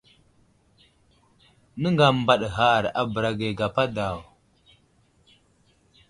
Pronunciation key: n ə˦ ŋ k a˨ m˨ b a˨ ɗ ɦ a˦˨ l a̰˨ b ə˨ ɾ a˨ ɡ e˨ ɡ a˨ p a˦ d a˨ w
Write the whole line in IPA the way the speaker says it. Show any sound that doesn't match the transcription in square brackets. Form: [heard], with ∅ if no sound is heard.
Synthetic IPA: n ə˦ ŋ [ɡ] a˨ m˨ b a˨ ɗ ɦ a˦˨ [ɾ] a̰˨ b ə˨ ɾ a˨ ɡ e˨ ɡ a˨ p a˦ d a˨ w